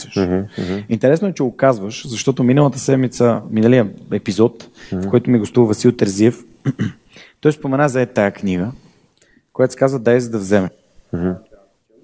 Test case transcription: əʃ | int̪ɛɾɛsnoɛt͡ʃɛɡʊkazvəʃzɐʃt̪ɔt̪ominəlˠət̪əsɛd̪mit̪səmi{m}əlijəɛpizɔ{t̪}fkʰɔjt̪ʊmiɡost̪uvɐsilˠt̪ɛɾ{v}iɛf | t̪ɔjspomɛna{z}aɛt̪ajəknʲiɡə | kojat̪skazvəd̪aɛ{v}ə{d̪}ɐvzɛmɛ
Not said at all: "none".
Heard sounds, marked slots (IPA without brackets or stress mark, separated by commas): n, t̪, z, z, z, d̪